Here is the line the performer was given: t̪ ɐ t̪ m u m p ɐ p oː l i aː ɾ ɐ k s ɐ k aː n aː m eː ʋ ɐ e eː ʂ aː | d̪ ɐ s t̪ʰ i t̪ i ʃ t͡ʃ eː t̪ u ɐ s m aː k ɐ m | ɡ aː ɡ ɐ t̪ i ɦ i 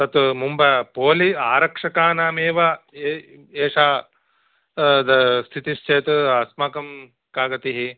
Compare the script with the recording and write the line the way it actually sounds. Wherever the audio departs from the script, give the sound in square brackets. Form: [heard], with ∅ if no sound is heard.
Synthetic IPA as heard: t̪ ɐ t̪ m u m [b] ɐ p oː l i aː ɾ ɐ k [ʂ] ɐ k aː n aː m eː ʋ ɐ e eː ʂ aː | d̪ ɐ s t̪ʰ i t̪ i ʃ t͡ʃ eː t̪ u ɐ s m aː k ɐ m | [k] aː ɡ ɐ t̪ i ɦ i